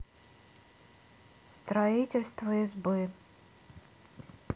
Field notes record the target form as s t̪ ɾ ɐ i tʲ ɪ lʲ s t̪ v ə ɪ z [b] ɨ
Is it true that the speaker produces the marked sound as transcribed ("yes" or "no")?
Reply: yes